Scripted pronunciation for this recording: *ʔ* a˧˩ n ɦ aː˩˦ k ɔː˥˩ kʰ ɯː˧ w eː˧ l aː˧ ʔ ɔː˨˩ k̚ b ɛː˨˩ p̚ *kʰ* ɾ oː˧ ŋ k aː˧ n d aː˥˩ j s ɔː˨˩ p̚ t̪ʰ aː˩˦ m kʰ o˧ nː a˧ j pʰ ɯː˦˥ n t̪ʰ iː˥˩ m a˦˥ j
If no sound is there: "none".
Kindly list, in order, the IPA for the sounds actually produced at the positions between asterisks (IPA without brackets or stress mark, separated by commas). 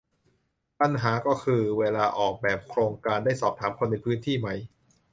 p, kʰ